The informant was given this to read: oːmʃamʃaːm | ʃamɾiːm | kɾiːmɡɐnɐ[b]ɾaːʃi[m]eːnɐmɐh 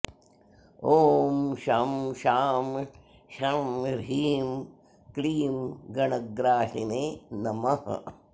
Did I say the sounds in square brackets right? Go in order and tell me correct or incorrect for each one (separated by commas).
incorrect, incorrect